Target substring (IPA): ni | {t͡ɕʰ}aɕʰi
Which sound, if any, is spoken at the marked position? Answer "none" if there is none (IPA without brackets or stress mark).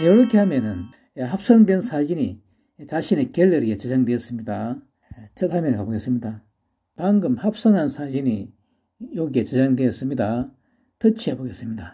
t͡ɕ